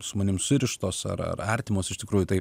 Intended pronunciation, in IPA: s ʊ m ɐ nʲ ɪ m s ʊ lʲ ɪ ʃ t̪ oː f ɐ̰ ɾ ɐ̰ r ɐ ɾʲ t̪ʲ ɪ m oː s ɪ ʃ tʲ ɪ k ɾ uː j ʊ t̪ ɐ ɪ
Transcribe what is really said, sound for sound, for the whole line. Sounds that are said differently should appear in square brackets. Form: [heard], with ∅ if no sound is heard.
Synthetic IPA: s ʊ m ɐ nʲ ɪ m s ʊ [ɾʲ] ɪ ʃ t̪ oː [s] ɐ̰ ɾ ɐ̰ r ɐ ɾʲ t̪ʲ ɪ m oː s ɪ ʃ tʲ ɪ k ɾ uː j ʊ t̪ ɐ ɪ